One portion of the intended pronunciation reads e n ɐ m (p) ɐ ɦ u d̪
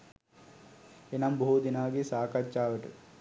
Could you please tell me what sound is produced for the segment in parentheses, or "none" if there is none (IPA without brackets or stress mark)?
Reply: b